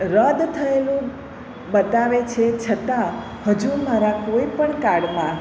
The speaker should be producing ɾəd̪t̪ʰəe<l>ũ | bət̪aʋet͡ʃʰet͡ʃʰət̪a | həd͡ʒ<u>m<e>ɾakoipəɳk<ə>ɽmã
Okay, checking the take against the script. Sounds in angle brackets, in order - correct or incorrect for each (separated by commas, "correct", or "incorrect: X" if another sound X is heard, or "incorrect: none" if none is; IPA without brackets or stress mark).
correct, correct, incorrect: a, incorrect: a